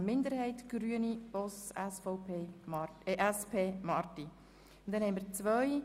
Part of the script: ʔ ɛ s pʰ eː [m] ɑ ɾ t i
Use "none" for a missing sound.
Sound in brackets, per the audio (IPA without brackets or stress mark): m